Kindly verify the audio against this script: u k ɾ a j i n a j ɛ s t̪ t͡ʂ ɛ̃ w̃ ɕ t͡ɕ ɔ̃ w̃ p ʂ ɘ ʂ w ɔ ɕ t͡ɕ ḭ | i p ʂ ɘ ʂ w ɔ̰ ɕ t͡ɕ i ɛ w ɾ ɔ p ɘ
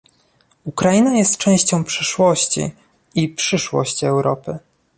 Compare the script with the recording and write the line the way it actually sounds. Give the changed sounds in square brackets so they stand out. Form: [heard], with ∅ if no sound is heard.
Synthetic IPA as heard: u k ɾ a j i n a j ɛ s t̪ t͡ʂ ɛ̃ w̃ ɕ t͡ɕ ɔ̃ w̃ p ʂ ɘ ʂ w ɔ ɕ t͡ɕ ḭ | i p ʂ ɘ ʂ w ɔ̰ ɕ t͡ɕ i ɛ w ɾ ɔ p ɘ